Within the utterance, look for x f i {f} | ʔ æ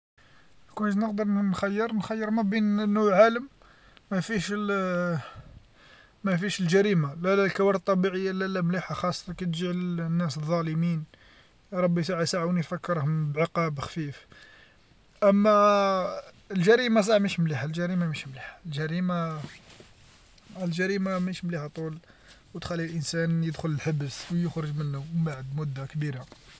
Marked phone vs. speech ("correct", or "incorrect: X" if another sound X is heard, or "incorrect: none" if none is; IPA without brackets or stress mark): correct